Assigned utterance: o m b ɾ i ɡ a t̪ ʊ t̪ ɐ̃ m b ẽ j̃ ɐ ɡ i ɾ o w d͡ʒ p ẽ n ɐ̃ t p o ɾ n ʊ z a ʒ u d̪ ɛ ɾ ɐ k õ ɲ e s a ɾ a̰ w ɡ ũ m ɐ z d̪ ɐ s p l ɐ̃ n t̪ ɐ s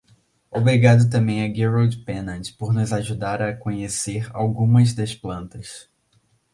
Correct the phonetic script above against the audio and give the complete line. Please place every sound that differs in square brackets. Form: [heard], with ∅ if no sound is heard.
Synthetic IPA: o [∅] b ɾ i ɡ a [d̪] ʊ t̪ ɐ̃ m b ẽ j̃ ɐ ɡ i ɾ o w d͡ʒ p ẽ n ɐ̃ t p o ɾ n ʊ z a ʒ u d̪ [a] ɾ ɐ k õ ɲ e s [e] ɾ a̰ w ɡ ũ m ɐ z d̪ ɐ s p l ɐ̃ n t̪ ɐ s